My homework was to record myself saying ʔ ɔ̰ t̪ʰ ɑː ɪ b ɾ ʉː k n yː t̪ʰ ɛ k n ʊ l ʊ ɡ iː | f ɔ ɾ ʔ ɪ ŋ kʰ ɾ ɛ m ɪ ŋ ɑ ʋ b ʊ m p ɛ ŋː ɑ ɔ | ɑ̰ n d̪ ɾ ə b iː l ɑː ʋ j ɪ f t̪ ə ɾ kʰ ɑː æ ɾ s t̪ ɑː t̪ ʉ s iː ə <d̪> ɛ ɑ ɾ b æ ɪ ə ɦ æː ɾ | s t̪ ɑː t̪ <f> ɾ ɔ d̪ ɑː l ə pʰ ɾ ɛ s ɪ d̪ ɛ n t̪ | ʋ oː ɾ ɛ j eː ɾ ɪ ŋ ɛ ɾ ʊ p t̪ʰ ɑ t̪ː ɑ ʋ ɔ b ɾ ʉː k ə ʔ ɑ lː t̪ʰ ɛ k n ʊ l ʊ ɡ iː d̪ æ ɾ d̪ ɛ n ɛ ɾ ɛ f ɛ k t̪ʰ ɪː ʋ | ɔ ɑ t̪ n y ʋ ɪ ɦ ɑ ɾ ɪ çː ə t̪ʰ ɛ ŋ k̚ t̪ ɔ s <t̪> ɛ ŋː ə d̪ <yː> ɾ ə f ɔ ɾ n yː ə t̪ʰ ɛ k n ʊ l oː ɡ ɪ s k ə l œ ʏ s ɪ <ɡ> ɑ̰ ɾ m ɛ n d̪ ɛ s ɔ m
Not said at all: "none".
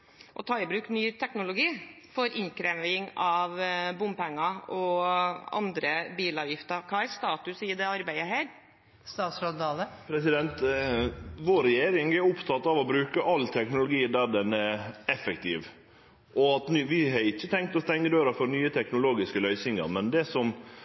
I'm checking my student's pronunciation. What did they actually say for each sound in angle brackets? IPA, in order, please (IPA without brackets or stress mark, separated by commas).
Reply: d̪, s, t̪, øː, ŋ